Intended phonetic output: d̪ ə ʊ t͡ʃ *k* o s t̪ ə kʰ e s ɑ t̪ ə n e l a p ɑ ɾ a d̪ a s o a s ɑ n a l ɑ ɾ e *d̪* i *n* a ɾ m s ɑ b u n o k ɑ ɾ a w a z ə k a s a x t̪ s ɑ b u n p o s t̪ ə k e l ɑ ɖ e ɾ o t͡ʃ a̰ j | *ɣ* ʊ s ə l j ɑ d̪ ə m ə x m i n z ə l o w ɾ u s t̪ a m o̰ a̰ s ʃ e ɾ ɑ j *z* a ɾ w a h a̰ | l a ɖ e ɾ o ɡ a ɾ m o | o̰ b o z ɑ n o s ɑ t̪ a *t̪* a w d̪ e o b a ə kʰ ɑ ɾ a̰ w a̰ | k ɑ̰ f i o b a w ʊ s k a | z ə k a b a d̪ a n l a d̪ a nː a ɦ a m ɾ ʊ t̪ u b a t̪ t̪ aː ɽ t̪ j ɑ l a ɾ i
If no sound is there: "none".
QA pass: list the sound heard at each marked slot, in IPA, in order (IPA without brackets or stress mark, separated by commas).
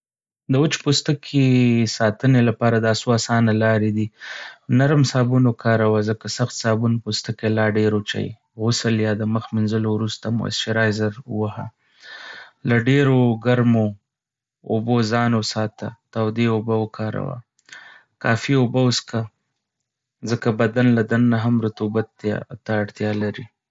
p, d̪, n, ɣ, z, t̪